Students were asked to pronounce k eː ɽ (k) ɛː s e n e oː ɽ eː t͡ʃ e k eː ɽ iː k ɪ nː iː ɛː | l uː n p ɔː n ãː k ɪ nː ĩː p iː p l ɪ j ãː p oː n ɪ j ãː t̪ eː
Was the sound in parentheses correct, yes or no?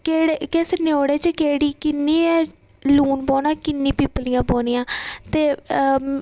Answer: yes